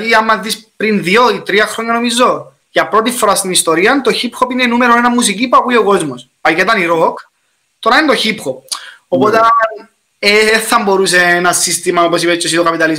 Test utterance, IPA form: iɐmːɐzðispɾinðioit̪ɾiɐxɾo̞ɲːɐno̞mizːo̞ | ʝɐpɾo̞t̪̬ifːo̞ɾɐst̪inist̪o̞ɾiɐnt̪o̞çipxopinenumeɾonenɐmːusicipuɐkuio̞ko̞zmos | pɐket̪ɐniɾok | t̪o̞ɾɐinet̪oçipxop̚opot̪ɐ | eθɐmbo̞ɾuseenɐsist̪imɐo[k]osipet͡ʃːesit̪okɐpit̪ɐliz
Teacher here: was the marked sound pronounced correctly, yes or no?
no